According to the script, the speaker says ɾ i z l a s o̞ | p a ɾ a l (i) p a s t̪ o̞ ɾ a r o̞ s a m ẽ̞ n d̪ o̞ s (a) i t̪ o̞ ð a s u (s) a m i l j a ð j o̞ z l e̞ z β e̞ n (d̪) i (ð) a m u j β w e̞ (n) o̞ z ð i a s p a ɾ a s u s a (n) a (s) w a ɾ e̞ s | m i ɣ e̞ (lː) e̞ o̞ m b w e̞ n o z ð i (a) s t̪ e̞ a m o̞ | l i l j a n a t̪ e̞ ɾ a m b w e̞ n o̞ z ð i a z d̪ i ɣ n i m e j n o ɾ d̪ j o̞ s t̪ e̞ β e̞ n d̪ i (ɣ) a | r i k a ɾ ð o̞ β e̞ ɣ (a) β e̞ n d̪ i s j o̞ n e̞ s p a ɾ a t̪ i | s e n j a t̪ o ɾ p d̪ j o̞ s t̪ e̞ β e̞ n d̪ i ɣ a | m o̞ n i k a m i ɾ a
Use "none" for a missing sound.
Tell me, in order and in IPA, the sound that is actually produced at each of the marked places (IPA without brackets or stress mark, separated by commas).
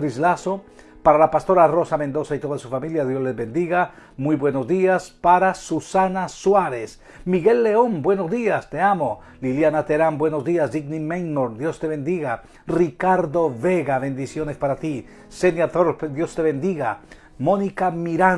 a, a, f, d̪, ɣ, n, n, s, lː, a, ɣ, a